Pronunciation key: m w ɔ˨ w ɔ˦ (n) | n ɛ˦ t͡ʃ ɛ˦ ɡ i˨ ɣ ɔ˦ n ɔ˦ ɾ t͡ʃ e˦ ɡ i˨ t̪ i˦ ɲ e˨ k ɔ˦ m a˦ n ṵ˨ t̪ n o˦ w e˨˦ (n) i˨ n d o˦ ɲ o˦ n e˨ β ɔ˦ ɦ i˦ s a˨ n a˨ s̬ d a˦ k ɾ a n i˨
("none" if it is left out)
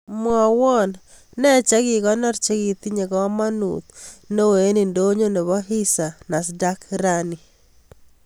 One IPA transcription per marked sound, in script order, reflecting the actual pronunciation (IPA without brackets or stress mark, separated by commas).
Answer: n, n